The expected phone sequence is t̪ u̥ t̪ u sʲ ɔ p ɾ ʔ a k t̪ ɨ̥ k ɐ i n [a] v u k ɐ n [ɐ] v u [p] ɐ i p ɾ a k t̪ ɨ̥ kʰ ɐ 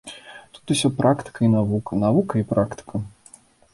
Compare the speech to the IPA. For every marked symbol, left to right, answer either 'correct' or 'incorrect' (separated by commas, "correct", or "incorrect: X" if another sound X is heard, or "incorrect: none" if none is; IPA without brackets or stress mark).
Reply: correct, incorrect: a, incorrect: k